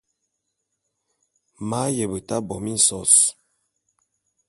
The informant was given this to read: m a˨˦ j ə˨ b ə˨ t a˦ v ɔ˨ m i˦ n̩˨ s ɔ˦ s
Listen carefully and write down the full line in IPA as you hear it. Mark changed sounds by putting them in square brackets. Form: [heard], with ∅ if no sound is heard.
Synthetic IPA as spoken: m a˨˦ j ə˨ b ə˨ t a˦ [b] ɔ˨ m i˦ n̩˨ s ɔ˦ s